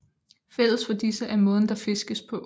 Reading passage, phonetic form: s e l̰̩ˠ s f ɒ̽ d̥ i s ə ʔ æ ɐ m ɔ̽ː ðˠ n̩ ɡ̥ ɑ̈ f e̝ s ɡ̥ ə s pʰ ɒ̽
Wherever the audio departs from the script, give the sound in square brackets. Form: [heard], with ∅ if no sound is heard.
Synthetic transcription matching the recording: [f] e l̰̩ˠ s f ɒ̽ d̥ i s ə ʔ æ ɐ m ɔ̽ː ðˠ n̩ [d̥] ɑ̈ f e̝ s ɡ̥ ə s pʰ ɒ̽